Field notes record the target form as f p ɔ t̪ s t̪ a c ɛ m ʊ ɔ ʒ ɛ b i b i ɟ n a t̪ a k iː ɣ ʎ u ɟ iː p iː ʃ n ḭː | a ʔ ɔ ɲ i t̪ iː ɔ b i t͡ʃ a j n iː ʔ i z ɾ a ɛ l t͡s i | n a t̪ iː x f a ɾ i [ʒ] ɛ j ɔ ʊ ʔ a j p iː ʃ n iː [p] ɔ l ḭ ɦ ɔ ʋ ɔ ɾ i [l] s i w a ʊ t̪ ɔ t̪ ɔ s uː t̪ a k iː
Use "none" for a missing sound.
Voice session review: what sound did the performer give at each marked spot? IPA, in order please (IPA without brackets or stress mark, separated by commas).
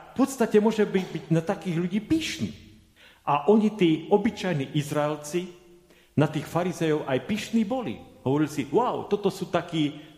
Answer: z, b, l